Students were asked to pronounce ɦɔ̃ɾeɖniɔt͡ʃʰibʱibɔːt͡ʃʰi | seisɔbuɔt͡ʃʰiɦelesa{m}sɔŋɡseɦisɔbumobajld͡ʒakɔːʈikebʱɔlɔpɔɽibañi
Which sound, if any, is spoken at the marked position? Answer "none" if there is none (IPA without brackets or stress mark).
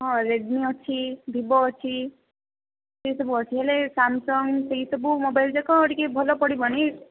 m